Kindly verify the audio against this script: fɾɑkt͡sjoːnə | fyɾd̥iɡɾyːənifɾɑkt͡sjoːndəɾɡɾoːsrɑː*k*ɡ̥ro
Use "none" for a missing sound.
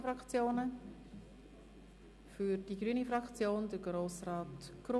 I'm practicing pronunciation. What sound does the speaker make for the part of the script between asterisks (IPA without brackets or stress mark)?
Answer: t